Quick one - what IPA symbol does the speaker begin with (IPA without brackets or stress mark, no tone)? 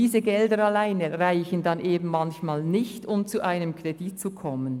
iː